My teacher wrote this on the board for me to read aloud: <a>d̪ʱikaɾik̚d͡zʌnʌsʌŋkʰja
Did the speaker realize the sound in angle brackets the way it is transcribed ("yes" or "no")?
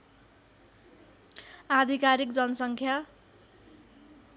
yes